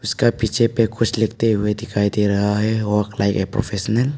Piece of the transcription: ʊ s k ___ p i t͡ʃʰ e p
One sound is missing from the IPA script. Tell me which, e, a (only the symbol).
a